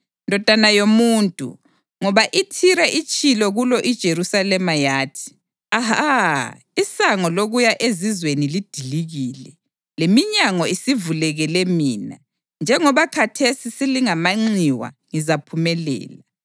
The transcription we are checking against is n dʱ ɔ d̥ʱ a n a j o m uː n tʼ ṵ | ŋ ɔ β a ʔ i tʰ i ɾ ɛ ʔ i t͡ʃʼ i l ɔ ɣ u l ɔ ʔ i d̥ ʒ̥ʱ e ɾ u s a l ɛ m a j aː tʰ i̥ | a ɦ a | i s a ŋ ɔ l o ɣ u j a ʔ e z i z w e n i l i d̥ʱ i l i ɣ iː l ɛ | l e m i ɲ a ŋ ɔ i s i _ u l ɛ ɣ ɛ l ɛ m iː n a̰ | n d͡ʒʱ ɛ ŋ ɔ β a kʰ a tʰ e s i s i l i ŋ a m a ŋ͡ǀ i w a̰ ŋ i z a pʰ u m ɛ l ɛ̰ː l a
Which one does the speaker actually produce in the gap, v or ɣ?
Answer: v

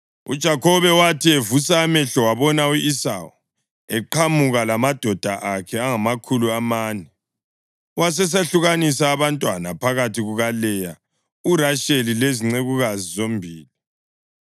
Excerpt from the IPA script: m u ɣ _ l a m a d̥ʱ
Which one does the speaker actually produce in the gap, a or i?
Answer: a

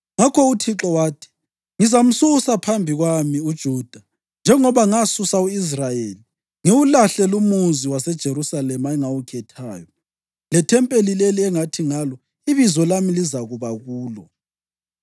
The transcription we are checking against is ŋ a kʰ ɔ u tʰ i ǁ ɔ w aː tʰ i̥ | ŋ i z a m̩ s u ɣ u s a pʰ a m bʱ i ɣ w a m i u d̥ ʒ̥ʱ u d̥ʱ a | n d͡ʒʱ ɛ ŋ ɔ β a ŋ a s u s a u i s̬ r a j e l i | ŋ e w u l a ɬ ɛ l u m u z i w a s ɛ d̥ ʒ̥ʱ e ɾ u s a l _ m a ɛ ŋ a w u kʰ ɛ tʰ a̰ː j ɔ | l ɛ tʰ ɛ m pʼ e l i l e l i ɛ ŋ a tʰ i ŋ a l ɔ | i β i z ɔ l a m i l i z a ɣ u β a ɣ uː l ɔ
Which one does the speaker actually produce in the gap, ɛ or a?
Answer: ɛ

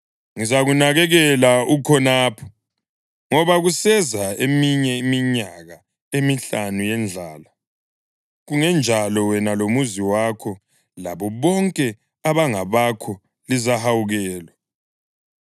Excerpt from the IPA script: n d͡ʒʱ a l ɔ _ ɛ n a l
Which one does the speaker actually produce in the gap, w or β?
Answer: w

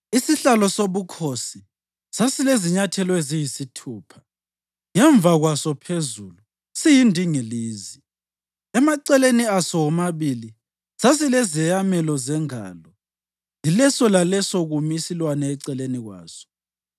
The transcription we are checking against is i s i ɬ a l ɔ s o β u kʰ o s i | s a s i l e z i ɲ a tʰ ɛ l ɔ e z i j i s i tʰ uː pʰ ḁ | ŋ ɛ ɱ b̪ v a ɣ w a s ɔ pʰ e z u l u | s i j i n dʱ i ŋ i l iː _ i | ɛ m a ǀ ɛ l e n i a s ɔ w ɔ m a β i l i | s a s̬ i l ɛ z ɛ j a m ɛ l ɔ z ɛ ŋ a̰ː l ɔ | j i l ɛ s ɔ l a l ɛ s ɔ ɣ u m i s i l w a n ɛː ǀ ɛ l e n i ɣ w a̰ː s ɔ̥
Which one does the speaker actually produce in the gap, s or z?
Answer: z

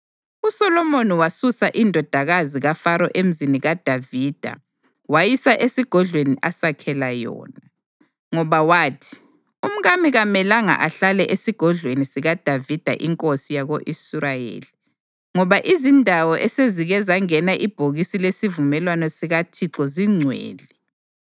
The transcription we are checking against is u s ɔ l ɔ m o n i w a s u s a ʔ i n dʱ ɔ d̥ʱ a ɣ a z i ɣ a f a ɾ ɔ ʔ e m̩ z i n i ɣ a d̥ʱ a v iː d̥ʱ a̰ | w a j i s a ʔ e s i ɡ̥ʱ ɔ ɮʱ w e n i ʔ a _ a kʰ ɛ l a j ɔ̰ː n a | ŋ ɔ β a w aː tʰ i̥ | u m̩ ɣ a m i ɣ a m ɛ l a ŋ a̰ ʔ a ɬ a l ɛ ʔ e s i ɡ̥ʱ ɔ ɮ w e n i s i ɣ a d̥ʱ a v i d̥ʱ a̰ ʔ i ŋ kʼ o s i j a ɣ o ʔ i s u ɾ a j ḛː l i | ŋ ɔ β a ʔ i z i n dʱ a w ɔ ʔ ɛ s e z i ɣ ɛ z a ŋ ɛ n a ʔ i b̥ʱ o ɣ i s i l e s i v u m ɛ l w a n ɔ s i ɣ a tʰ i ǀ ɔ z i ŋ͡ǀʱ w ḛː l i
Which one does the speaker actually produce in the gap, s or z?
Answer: s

